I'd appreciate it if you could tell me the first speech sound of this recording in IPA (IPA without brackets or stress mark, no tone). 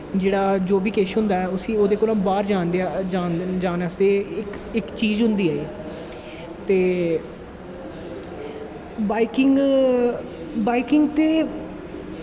d͡ʒ